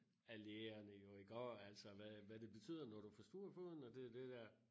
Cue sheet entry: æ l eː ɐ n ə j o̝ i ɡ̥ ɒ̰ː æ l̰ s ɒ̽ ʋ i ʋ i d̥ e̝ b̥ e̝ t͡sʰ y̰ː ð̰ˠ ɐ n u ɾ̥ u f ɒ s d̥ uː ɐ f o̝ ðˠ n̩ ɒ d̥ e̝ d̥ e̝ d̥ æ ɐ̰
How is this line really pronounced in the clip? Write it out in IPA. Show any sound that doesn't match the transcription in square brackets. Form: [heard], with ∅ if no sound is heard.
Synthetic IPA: æ l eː ɐ n ə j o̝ i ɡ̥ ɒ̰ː æ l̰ s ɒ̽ ʋ [æ] ʋ [æ] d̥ e̝ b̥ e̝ t͡sʰ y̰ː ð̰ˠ ɐ n [ɒ] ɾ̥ u f ɒ s d̥ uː ɐ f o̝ ðˠ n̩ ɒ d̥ e̝ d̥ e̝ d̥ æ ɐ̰